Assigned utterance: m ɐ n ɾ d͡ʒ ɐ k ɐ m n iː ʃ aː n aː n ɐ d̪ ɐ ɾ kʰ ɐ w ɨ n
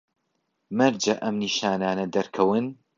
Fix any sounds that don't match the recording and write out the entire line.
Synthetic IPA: m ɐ ɾ d͡ʒ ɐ ʔ ɐ m n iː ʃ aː n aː n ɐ d̪ ɐ ɾ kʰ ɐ w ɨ n